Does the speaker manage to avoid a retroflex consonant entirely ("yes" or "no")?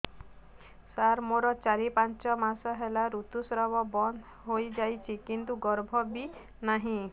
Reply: yes